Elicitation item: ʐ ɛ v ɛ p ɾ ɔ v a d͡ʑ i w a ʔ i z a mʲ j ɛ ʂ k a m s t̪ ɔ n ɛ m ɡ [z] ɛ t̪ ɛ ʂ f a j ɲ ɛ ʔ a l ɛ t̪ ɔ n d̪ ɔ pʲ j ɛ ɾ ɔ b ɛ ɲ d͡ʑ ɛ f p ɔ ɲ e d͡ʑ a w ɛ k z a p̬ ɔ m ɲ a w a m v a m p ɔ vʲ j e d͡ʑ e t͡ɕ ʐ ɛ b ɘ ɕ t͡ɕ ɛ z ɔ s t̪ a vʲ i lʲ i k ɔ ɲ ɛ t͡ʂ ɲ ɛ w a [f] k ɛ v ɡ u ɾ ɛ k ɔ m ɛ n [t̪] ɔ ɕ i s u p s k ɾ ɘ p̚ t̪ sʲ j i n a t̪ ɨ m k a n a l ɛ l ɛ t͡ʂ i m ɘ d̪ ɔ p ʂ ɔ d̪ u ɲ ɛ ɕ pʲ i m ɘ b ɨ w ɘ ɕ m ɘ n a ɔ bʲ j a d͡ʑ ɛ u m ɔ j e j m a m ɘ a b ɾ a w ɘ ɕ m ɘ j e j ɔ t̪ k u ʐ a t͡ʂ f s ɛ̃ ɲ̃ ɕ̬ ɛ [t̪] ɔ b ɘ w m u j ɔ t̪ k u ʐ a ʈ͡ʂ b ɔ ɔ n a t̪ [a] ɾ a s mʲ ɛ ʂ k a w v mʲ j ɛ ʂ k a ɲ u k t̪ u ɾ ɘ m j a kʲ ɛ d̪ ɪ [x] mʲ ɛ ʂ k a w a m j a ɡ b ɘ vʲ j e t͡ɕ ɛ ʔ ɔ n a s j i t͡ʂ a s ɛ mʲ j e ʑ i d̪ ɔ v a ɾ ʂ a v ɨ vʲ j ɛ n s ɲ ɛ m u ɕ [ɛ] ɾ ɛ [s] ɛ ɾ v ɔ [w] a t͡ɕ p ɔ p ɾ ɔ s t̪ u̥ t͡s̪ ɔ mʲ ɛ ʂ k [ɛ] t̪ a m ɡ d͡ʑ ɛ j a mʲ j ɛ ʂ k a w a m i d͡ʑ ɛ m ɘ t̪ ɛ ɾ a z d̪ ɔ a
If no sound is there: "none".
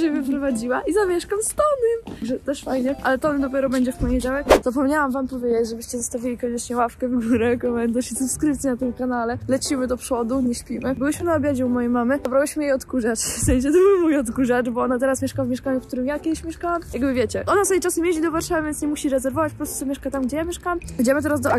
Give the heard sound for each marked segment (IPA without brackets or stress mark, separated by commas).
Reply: ʐ, f, d̪, t̪, ɛ, ɕ, i, z, v, a